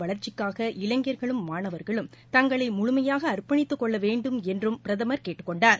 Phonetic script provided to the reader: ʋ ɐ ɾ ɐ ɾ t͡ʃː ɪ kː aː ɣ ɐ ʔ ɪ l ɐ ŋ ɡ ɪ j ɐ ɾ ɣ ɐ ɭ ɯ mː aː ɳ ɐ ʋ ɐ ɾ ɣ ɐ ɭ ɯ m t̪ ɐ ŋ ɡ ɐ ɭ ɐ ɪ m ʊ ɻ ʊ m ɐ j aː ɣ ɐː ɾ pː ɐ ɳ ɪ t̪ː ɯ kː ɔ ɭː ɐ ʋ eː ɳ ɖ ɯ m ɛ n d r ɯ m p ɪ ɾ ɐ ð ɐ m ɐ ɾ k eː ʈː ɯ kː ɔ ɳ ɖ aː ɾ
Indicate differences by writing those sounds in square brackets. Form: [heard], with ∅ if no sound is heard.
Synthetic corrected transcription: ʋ ɐ [ɭ] ɐ ɾ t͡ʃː ɪ kː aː ɣ ɐ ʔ ɪ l ɐ ŋ ɡ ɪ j ɐ ɾ ɣ ɐ ɭ ɯ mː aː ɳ ɐ ʋ ɐ ɾ ɣ ɐ ɭ ɯ m t̪ ɐ ŋ ɡ ɐ ɭ ɐ ɪ m ʊ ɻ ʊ m ɐ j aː ɣ ɐː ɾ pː ɐ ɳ ɪ t̪ː ɯ kː ɔ ɭː ɐ ʋ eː ɳ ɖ ɯ m ɛ n d r ɯ m p ɪ ɾ ɐ ð ɐ m ɐ ɾ k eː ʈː ɯ kː ɔ ɳ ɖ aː ɾ